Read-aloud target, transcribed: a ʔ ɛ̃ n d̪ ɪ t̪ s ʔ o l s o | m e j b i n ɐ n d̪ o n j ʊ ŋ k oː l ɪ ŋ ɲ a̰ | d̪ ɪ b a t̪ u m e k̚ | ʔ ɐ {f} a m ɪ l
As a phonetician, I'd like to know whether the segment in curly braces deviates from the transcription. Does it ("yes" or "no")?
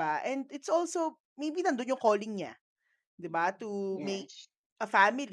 no